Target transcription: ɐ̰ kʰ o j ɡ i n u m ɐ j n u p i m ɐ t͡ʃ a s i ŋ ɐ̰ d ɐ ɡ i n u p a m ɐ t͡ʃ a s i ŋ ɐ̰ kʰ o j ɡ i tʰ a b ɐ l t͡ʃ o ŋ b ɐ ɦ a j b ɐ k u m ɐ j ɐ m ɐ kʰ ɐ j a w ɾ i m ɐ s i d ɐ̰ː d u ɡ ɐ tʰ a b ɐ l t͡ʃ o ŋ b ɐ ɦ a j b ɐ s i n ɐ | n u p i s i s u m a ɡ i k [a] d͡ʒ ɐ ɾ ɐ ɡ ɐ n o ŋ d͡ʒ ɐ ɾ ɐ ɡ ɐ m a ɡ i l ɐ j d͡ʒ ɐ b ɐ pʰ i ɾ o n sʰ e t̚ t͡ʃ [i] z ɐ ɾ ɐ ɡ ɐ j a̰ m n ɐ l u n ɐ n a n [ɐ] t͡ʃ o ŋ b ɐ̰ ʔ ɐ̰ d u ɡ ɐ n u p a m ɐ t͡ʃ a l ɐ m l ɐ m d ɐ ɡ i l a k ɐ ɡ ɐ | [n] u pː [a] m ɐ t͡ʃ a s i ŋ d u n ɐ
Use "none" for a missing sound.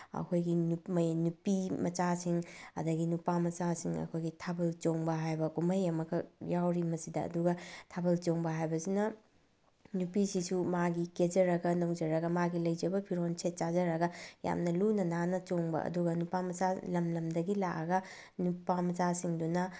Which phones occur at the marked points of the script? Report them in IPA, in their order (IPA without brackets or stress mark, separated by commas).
e, a, ɐ, n, a